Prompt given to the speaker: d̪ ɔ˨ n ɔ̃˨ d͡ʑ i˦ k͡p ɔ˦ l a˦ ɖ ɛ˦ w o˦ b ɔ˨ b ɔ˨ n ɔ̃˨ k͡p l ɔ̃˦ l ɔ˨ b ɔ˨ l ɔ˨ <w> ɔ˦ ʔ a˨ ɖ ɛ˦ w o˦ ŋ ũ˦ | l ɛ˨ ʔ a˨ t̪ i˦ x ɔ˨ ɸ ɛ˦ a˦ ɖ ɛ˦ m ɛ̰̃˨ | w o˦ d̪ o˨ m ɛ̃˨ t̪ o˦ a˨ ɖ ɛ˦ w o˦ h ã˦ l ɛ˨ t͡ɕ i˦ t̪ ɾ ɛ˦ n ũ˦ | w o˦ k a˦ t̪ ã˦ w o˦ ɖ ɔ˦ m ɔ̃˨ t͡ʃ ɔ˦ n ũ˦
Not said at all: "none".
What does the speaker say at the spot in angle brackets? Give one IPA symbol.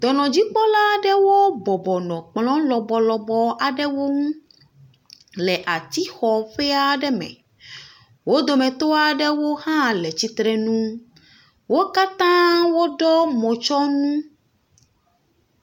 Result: b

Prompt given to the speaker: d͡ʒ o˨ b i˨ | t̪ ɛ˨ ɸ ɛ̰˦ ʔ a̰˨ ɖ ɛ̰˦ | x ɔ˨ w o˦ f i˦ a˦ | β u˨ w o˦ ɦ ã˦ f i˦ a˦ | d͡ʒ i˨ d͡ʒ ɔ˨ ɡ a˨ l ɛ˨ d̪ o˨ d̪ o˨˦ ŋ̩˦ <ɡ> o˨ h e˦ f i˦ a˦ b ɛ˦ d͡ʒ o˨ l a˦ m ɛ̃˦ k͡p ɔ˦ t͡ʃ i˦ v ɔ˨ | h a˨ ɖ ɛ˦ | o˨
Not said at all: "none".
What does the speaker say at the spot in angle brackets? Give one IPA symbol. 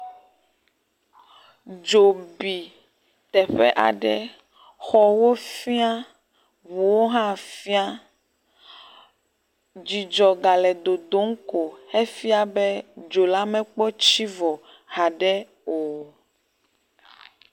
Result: k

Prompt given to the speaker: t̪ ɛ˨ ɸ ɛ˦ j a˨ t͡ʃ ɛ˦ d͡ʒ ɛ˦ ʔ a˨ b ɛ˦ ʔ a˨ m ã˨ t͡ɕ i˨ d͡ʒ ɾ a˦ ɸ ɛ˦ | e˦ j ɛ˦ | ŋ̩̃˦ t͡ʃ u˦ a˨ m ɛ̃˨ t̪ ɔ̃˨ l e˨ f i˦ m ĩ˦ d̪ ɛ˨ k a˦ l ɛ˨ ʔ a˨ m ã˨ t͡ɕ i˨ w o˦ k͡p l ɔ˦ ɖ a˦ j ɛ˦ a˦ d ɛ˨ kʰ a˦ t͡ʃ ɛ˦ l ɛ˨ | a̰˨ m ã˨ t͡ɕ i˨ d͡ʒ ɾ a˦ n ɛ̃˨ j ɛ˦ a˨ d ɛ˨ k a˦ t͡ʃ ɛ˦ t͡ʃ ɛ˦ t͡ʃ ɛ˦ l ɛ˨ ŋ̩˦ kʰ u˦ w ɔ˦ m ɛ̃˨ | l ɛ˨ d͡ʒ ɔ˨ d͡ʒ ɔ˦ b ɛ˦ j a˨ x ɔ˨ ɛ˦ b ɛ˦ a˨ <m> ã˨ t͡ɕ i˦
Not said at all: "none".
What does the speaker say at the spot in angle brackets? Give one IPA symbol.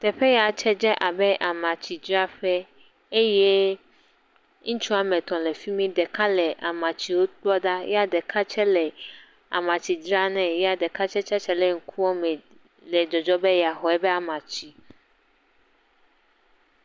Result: m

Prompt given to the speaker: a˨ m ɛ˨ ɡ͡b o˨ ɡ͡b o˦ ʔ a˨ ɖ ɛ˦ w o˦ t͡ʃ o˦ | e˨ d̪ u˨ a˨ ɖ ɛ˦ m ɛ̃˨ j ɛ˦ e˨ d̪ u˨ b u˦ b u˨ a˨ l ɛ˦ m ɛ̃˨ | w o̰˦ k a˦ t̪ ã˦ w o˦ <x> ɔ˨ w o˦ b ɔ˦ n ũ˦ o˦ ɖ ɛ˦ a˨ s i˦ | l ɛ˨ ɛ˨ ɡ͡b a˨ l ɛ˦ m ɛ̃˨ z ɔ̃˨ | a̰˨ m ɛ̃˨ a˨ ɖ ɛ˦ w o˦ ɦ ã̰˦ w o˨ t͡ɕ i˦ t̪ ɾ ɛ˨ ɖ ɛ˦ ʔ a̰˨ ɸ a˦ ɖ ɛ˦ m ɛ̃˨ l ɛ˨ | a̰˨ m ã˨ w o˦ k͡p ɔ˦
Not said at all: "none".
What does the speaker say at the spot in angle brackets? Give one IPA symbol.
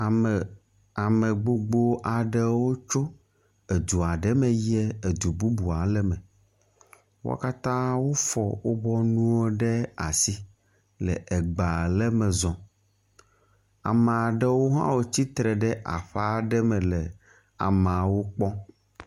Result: f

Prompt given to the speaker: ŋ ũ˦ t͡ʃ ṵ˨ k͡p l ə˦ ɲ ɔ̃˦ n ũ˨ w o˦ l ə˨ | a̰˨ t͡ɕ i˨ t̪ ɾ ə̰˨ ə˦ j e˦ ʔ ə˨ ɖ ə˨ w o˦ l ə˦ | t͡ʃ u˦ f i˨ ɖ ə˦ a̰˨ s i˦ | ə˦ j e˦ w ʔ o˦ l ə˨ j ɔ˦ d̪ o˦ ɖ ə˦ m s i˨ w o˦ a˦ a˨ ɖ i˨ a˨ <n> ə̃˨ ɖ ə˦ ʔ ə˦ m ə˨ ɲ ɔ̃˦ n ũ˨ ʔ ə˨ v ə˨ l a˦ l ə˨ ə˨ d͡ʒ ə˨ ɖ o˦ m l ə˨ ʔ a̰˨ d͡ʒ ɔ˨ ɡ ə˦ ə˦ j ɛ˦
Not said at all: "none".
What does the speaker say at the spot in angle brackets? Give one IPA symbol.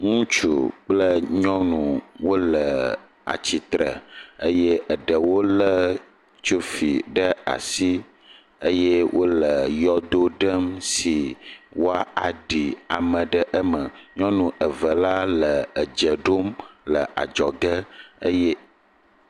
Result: m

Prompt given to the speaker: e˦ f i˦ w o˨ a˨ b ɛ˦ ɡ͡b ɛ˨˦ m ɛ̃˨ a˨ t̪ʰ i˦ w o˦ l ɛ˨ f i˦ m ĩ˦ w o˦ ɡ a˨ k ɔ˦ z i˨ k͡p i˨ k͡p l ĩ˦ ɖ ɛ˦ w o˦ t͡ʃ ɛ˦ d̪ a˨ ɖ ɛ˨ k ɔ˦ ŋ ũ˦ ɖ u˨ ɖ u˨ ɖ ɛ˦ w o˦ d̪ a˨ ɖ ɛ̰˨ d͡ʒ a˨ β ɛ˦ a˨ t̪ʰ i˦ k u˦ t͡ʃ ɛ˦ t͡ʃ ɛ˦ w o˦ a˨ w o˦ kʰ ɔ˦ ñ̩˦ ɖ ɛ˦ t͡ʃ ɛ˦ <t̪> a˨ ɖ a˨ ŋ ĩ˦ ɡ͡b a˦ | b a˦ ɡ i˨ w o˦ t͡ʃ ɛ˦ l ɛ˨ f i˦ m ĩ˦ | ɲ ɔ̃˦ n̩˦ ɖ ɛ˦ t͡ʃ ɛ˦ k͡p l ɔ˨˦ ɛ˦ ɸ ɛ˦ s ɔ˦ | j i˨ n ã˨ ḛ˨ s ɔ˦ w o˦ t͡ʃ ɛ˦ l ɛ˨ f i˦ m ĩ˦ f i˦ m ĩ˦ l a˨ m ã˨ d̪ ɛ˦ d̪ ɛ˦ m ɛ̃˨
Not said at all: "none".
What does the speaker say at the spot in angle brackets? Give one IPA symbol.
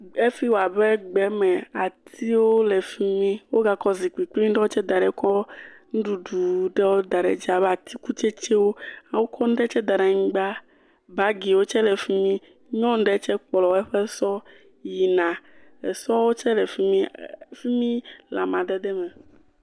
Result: d̪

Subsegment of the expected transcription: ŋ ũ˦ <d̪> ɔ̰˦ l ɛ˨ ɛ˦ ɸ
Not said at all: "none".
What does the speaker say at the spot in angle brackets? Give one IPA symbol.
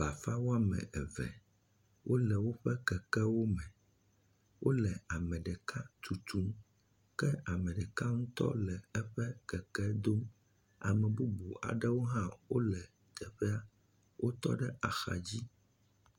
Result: t̪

